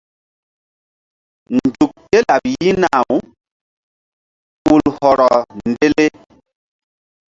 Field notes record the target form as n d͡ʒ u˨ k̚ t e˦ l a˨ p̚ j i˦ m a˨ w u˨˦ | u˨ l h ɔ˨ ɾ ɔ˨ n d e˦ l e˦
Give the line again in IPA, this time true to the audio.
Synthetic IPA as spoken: n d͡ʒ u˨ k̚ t e˦ l a˨ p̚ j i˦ n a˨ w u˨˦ | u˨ l h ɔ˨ ɾ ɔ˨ n d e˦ l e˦